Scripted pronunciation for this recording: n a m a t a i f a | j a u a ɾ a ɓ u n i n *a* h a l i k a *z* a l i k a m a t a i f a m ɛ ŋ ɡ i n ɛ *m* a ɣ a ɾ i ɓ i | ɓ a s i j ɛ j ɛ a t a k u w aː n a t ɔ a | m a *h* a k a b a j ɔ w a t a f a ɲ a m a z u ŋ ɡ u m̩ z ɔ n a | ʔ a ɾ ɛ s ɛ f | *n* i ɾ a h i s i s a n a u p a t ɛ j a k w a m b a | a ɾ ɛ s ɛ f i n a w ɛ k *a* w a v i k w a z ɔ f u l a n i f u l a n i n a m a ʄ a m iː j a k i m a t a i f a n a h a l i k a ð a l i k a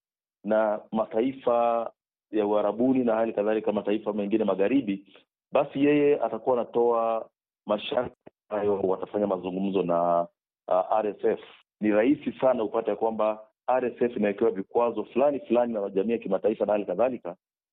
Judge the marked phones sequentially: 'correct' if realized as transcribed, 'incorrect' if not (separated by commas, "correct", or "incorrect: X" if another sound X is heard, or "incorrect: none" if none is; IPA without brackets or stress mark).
correct, incorrect: ð, correct, incorrect: ʃ, correct, incorrect: ɛ